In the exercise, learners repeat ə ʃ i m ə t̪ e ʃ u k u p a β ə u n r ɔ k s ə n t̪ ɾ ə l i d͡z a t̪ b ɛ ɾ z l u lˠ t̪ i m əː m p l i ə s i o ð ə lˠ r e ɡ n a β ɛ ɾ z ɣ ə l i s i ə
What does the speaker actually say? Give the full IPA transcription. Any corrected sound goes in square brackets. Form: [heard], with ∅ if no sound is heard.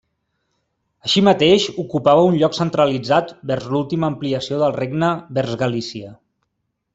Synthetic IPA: ə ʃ i m ə t̪ e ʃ u k u p a β ə u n [ʎ] ɔ k s ə n t̪ ɾ ə l i d͡z a t̪ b ɛ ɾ z l u lˠ t̪ i m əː m p l i ə s i o ð ə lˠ r e ɡ n [ə] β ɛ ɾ z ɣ ə l i s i ə